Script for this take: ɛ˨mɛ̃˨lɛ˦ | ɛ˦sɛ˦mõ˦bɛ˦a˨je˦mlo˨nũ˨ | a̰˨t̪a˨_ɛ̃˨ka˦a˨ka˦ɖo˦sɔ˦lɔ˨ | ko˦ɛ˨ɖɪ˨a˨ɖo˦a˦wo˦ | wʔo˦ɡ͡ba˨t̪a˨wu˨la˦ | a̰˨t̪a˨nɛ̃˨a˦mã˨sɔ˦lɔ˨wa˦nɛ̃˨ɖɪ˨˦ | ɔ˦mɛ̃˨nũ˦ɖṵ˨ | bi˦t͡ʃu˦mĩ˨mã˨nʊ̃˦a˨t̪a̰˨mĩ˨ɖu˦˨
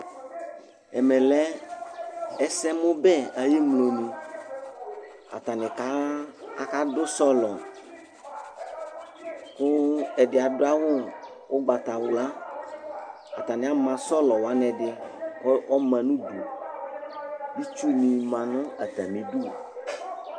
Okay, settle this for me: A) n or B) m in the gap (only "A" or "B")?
A